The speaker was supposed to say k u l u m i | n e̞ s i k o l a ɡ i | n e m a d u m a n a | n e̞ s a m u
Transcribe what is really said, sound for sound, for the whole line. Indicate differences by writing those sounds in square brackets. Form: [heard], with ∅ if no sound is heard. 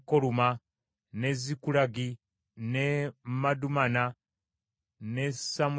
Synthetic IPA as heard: k [o] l u m [a] | n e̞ [z] i k [u] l a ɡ i | n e m a d u m a n a | n e̞ s a m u